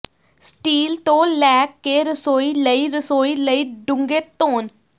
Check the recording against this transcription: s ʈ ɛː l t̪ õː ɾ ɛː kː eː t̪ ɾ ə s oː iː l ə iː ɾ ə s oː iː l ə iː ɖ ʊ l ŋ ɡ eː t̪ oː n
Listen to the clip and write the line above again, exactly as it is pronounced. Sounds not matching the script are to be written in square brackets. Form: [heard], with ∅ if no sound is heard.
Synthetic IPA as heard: s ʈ [iː] l t̪ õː [l] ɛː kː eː [∅] ɾ ə s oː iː l ə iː ɾ ə s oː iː l ə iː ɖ ʊ [∅] ŋ ɡ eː t̪ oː n